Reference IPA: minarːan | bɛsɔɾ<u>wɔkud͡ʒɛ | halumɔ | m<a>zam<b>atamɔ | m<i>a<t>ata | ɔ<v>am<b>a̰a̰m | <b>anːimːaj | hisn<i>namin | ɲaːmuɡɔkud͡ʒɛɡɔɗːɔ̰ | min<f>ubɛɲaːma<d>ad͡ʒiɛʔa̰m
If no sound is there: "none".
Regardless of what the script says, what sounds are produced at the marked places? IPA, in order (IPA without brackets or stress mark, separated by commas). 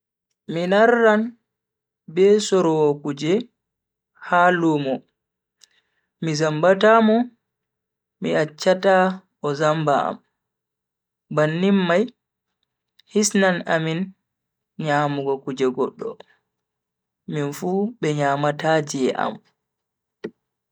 ɔ, i, b, i, t͡ʃː, z, b, b, a, f, t